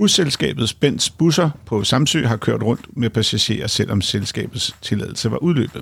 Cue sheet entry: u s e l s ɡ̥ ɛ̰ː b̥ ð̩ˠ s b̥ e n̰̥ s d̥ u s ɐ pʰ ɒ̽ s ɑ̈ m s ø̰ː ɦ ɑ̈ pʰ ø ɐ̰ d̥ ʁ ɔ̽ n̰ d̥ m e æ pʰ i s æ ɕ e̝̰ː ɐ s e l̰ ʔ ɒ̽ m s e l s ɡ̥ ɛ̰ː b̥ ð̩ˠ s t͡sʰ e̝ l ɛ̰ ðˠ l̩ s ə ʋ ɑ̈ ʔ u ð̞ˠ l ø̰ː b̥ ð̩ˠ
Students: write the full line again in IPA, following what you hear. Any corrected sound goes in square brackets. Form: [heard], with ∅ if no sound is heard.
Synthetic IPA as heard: u s e l s ɡ̥ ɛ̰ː b̥ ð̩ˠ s b̥ e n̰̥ s [b̥] u s ɐ pʰ ɒ̽ s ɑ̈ m s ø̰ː ɦ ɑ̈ [kʰ] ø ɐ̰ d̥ ʁ ɔ̽ n̰ d̥ m e æ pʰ [æ] s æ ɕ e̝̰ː ɐ s e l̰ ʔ ɒ̽ m s e l s ɡ̥ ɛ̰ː b̥ ð̩ˠ s t͡sʰ e̝ l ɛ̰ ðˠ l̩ s ə ʋ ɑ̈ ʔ u ð̞ˠ l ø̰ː b̥ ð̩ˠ